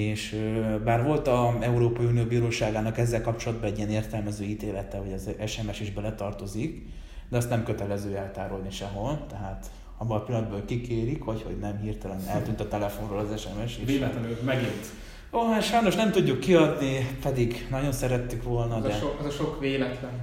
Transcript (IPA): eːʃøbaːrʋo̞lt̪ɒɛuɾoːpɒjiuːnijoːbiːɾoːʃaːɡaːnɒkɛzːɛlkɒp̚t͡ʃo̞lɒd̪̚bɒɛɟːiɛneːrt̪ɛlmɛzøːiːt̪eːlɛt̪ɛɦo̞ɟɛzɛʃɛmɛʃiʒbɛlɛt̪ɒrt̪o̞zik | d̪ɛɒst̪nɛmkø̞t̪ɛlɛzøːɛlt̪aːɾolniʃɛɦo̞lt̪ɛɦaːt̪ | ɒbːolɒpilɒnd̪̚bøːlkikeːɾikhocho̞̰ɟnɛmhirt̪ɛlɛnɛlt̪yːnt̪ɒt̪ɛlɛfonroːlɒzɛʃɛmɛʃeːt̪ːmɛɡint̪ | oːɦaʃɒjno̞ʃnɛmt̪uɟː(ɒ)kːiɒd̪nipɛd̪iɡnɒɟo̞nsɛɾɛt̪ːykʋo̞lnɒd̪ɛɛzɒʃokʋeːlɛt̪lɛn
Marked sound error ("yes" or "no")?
yes